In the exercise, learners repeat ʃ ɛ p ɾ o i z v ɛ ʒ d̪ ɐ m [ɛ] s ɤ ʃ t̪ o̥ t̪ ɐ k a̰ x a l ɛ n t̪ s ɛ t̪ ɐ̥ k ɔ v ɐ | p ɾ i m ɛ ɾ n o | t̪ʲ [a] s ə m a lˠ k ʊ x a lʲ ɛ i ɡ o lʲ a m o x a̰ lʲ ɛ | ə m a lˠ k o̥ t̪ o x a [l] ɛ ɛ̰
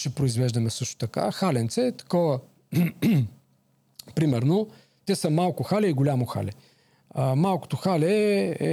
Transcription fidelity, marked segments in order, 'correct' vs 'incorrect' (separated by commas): correct, incorrect, correct